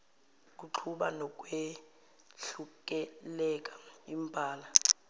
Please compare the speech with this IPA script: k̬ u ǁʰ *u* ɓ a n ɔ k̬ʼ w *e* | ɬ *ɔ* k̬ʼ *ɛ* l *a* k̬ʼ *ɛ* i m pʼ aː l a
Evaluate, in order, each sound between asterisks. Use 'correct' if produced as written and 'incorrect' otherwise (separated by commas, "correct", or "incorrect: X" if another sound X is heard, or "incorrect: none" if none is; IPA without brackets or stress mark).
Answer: correct, correct, incorrect: u, correct, incorrect: ɛ, incorrect: a